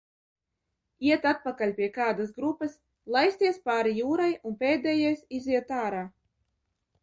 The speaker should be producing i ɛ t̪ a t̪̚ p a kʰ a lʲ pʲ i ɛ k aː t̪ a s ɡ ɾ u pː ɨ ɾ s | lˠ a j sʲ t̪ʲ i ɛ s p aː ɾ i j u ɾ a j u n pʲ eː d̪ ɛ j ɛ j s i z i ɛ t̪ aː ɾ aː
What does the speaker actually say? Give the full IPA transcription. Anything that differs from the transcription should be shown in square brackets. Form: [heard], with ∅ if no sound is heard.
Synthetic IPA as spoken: i ɛ t̪ a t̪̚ p a [k] a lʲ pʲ i ɛ k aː [d̪] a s ɡ ɾ u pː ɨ [∅] s | lˠ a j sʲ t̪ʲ i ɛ s p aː ɾ i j [uː] ɾ a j u n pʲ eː d̪ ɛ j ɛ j s i z i ɛ t̪ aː ɾ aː